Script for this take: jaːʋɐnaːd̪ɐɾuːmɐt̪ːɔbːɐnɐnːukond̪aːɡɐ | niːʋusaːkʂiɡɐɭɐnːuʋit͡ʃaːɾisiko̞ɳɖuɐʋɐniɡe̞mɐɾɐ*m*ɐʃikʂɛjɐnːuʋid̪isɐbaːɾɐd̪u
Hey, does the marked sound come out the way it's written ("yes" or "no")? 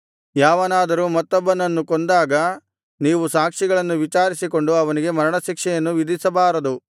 no